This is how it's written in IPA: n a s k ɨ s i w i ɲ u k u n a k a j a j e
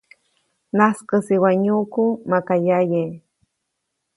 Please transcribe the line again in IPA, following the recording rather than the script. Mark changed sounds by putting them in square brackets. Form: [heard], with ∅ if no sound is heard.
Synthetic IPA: n a s k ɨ s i w [a] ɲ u k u [m] a k a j a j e